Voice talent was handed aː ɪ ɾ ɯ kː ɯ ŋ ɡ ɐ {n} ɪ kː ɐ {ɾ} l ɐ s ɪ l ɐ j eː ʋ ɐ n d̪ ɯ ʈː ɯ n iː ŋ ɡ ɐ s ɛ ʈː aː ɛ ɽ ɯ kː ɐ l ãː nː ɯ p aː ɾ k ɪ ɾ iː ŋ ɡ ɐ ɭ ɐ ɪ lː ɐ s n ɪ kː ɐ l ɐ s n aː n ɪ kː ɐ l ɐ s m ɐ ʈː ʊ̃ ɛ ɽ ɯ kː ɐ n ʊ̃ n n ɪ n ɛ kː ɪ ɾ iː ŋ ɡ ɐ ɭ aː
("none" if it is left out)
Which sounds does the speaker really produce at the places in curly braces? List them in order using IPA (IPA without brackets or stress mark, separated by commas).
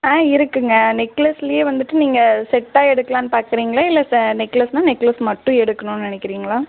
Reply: n, none